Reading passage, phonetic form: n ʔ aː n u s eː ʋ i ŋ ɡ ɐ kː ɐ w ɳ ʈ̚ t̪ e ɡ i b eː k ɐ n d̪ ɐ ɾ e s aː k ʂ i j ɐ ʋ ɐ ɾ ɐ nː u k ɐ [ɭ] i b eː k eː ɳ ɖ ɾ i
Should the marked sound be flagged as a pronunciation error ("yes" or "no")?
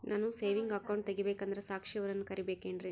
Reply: yes